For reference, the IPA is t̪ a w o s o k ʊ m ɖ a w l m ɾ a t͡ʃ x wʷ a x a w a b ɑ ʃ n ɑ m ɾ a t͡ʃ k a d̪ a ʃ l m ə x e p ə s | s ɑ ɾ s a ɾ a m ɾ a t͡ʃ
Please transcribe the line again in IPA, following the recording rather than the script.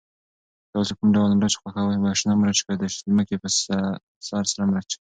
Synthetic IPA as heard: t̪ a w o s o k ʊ m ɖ a w l m ɾ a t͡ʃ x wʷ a x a w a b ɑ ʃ n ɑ m ɾ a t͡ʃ k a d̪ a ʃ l m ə k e p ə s | s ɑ ɾ s a ɾ a m ɾ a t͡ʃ